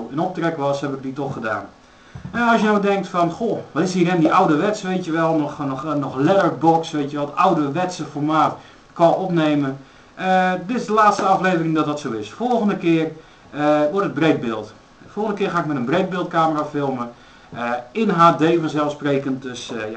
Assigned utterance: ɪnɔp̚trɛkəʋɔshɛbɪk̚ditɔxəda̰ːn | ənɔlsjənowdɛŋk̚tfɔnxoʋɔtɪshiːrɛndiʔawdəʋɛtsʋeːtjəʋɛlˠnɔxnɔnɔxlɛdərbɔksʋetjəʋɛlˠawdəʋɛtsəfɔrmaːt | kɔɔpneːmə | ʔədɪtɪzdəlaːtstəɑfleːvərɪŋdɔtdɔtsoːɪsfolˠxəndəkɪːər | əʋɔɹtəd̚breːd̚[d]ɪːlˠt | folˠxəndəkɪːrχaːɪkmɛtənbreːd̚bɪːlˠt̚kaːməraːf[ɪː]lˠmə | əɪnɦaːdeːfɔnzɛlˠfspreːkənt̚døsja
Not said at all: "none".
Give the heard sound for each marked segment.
b, ɪ

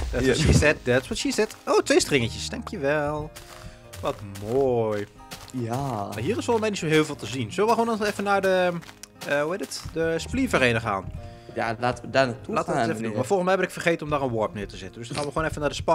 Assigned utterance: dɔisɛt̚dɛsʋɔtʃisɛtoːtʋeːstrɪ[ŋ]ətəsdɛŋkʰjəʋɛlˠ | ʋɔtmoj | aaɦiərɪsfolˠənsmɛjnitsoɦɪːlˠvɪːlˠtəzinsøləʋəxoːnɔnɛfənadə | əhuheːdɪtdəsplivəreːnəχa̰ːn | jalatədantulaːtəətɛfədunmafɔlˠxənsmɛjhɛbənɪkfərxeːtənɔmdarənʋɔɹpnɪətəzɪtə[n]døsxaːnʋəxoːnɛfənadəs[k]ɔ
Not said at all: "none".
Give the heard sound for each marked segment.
ŋ, n, p

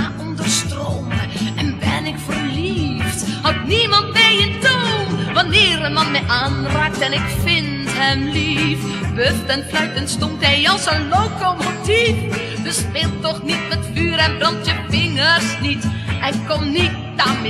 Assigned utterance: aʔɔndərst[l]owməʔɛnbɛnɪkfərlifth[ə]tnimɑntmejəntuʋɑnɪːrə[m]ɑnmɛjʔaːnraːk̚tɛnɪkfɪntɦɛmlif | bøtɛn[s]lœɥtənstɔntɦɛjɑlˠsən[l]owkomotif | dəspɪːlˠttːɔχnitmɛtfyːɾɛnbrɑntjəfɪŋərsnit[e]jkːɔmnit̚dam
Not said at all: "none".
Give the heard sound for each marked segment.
r, ɑ, m, f, l, ɛ

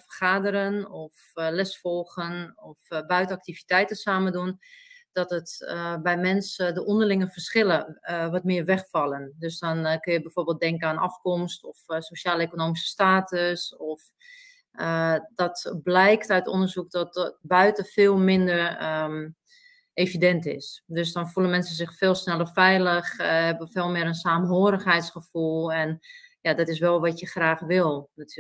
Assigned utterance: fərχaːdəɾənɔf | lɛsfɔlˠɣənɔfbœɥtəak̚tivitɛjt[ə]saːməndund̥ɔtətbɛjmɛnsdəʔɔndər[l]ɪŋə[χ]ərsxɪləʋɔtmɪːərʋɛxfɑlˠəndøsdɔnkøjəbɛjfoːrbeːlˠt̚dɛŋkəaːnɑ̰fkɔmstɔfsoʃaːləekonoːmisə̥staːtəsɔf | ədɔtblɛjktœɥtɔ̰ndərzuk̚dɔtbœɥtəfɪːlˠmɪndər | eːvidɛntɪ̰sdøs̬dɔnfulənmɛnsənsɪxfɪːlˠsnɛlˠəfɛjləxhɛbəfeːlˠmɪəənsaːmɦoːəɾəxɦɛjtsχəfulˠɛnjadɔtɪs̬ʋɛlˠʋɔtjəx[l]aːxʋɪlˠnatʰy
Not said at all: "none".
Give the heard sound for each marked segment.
ə, l, f, r

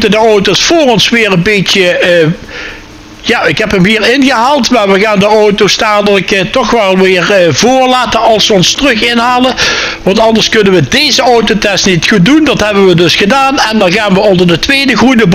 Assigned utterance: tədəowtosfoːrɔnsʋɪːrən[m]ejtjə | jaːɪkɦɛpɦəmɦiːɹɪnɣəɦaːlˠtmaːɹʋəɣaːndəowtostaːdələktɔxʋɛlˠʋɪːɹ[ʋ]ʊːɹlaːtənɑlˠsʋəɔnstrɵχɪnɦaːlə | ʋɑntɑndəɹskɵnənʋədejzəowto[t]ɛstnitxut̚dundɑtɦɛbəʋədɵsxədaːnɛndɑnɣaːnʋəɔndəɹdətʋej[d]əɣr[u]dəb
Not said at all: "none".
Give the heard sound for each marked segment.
b, v, t, d, u

